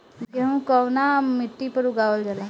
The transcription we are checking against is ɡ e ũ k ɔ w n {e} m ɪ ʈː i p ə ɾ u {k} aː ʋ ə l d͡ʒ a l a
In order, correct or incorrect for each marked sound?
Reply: incorrect: a, incorrect: ɡ

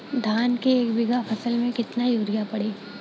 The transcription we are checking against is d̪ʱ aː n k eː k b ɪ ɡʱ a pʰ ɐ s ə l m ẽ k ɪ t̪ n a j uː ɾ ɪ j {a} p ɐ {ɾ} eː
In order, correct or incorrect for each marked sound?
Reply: correct, incorrect: ɽ

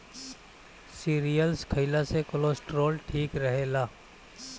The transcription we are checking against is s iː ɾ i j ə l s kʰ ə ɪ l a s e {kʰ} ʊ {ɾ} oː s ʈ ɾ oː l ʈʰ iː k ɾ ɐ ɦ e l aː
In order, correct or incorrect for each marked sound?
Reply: incorrect: k, incorrect: l

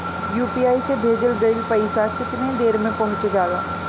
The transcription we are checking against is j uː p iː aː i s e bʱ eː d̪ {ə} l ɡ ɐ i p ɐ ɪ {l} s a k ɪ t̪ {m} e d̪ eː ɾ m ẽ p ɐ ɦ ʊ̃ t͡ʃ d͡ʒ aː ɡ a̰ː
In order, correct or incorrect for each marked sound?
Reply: correct, incorrect: none, incorrect: n

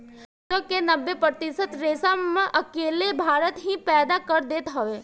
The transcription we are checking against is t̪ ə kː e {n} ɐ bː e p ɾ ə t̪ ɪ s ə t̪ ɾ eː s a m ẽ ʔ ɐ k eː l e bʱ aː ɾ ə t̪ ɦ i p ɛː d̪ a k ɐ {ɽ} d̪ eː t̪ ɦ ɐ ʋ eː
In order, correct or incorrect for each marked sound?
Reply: correct, incorrect: ɾ

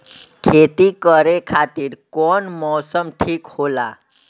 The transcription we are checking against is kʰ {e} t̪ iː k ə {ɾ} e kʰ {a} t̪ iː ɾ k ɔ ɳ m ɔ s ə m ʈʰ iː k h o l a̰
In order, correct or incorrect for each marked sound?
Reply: correct, correct, correct

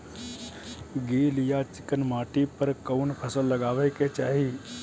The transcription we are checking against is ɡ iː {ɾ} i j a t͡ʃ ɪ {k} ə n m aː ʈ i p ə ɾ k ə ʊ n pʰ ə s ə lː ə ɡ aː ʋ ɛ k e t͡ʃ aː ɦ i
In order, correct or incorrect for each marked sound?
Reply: incorrect: l, correct

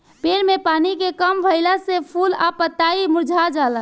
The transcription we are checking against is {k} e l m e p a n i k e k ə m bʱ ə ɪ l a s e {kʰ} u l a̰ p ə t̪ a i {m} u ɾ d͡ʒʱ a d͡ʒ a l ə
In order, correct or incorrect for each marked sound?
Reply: incorrect: p, incorrect: pʰ, correct

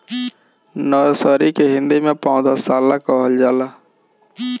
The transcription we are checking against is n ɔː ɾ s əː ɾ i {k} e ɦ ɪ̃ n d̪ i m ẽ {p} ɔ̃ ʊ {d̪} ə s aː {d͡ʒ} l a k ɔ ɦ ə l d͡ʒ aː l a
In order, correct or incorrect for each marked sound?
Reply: correct, correct, correct, incorrect: none

